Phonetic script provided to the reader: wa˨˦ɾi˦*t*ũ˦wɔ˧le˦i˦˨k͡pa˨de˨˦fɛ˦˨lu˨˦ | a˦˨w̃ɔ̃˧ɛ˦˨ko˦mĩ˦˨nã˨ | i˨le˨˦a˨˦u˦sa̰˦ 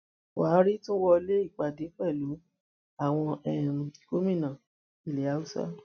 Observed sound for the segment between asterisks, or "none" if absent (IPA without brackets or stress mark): t